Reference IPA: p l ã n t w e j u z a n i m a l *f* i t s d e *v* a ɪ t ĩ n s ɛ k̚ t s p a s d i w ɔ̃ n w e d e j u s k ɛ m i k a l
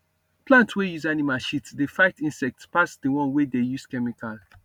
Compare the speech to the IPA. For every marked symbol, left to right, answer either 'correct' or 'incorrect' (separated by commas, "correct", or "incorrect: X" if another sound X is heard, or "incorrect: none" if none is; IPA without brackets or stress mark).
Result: incorrect: ʃ, incorrect: f